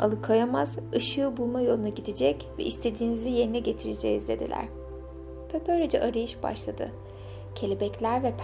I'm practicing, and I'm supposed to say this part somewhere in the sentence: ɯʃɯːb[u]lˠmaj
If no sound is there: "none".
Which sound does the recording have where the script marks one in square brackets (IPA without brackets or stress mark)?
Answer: u